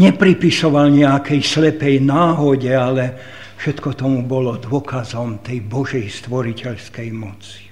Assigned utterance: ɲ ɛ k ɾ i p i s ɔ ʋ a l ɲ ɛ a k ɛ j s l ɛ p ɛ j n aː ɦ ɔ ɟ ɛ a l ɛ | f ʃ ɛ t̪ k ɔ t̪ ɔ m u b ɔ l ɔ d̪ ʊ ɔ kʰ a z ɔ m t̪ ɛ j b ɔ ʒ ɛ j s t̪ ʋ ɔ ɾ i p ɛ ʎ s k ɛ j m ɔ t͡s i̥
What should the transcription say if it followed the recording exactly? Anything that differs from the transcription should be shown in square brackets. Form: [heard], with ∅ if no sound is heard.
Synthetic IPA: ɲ ɛ [p] ɾ i p i s ɔ ʋ a l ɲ ɛ a k ɛ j s l ɛ p ɛ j n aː ɦ ɔ ɟ ɛ a l ɛ | f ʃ ɛ t̪ k ɔ t̪ ɔ m u b ɔ l ɔ d̪ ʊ ɔ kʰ a z ɔ m t̪ ɛ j b ɔ ʒ ɛ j s t̪ ʋ ɔ ɾ i [c] ɛ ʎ s k ɛ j m ɔ t͡s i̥